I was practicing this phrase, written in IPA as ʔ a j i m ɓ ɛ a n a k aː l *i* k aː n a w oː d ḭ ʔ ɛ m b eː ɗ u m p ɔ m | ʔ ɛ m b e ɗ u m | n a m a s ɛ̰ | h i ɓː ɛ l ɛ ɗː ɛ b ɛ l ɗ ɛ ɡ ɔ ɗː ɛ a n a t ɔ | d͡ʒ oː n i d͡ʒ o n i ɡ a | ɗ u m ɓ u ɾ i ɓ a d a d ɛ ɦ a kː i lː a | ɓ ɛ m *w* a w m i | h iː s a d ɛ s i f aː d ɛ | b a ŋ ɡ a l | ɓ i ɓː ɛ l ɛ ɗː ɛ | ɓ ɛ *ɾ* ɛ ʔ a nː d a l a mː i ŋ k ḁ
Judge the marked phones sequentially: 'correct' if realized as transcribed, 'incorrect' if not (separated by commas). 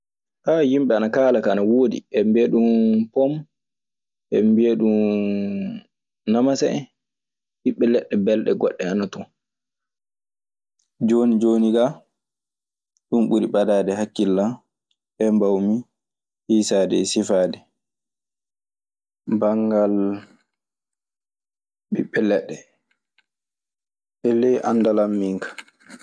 incorrect, incorrect, incorrect